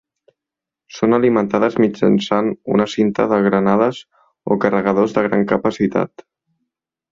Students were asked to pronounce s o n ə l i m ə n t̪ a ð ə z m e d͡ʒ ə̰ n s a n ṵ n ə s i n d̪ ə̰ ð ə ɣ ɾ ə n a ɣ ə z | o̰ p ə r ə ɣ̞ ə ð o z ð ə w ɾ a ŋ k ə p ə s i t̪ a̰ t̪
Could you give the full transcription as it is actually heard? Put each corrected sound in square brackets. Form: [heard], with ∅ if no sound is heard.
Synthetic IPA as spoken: s o n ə l i m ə n t̪ a ð ə z m [i] d͡ʒ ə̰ n s a n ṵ n ə s i n [t̪] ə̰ ð ə ɣ ɾ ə n a [ð] ə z | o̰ [k] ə r ə ɣ̞ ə ð o z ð ə [ɣ] ɾ a ŋ k ə p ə s i t̪ a̰ t̪